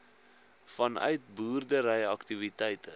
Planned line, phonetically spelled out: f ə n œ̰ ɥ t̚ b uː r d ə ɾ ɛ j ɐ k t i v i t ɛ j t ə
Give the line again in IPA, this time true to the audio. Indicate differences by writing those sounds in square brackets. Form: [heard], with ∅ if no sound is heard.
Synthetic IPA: f [ɐ] n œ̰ ɥ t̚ b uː r d ə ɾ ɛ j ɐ k t i v i t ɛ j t ə

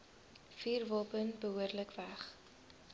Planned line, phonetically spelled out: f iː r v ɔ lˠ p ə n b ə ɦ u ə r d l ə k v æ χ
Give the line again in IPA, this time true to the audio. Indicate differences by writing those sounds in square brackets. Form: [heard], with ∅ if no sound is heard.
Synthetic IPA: f iː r v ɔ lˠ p ə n b ə ɦ u ə r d l ə k v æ χ

